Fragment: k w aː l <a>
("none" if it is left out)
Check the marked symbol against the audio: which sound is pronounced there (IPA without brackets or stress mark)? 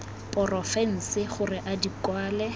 ɛ